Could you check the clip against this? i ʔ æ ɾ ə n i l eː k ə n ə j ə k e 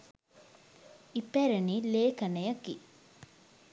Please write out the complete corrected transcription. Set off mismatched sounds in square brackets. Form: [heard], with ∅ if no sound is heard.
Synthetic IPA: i [p] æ ɾ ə n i l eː k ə n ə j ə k [i]